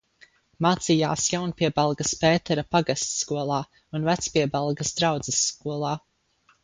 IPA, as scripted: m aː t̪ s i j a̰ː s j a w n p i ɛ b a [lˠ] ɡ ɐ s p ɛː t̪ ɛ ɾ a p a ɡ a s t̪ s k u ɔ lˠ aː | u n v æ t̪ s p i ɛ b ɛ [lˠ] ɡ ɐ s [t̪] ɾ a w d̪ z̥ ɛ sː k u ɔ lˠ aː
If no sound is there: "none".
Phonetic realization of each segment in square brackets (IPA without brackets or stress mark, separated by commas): lˠ, lˠ, d̪